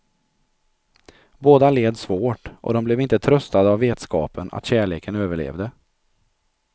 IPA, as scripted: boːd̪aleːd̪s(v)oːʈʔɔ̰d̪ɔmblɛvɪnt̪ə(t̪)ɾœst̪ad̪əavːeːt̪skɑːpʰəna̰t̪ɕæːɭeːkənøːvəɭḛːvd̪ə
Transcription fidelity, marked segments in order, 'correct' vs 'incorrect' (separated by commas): correct, incorrect